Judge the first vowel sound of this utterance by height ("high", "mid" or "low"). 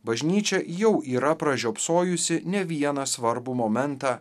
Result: low